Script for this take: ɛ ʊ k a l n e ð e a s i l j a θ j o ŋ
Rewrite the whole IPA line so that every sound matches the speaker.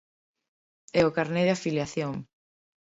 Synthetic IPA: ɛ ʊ k a ɾ n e ð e a f i l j a θ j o ŋ